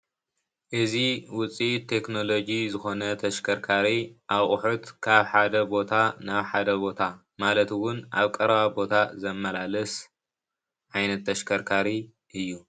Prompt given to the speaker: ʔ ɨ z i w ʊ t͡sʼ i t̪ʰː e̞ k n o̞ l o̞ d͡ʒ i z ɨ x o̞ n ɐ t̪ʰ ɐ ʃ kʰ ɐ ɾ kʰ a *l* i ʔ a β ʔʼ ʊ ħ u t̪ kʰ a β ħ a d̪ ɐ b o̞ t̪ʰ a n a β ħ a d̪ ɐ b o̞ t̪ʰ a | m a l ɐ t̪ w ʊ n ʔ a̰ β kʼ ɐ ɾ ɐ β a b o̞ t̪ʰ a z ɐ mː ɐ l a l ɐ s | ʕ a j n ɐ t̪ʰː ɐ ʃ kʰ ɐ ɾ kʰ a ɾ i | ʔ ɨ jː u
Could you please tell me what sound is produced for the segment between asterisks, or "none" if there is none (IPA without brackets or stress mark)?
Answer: ɾ